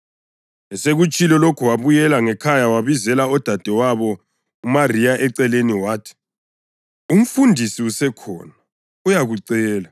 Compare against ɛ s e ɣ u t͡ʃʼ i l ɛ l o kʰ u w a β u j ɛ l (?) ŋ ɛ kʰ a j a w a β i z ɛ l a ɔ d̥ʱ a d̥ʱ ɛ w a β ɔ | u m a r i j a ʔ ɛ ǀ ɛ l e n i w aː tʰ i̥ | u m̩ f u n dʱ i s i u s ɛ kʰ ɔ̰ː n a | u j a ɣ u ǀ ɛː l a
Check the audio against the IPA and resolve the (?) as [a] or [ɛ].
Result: a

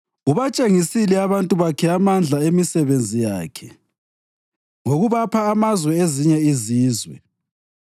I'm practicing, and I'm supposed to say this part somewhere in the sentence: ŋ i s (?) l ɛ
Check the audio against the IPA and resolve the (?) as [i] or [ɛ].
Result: i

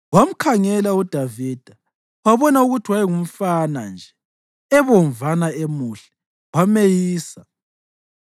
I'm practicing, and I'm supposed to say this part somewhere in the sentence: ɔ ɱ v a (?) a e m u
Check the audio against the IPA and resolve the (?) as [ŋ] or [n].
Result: n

